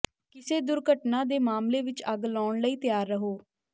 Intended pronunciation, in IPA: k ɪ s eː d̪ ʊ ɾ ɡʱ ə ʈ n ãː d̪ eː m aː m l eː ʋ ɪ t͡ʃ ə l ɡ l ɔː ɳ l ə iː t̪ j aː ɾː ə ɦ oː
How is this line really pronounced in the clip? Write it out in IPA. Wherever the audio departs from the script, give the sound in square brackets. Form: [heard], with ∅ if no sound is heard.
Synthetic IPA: k ɪ s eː d̪ ʊ ɾ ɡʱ ə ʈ n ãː d̪ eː m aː m l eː ʋ ɪ t͡ʃ ə [∅] ɡ l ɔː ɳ l ə iː t̪ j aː ɾː ə ɦ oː